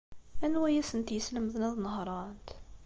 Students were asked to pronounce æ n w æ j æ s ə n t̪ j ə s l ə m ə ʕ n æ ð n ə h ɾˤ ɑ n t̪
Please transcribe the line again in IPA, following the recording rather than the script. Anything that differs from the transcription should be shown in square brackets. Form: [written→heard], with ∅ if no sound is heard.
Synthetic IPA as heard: æ n w æ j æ s ə n t̪ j ə s l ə m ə [ʕ→ð] n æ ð n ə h ɾˤ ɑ n t̪